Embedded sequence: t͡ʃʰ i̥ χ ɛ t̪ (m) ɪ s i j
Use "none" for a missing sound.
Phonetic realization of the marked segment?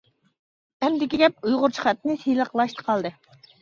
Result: n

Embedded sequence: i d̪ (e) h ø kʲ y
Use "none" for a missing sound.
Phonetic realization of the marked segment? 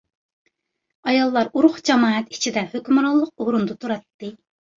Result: ɛ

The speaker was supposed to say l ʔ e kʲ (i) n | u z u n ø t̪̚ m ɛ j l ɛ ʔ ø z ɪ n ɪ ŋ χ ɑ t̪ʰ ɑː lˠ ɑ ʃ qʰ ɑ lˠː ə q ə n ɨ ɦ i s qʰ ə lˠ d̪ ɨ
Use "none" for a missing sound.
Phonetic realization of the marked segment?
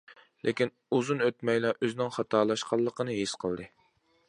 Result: i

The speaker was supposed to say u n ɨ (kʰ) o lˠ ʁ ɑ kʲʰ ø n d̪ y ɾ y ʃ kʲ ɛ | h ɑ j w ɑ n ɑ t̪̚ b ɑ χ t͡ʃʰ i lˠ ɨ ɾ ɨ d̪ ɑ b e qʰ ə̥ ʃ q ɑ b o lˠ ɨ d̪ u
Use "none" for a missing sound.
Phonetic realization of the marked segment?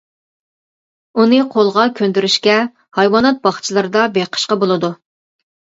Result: qʰ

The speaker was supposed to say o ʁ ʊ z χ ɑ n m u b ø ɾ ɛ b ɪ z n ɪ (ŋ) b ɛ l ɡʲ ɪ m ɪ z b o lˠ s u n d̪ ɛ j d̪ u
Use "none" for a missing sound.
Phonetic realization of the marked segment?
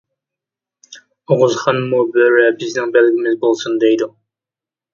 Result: ŋ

